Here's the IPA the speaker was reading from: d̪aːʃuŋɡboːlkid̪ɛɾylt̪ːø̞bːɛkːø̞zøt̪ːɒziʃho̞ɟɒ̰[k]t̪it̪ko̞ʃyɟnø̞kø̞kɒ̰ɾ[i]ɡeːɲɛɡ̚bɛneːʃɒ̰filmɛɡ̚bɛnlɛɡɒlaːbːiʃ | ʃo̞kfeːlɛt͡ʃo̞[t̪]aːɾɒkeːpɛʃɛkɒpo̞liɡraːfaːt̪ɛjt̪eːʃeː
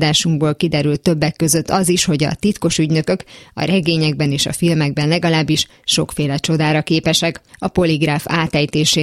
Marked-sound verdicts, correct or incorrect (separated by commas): incorrect, incorrect, incorrect